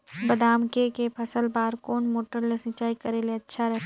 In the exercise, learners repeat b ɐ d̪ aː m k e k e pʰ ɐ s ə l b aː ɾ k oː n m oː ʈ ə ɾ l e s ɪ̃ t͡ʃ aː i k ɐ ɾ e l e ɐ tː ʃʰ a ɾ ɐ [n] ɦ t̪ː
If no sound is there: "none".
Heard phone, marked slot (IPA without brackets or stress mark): none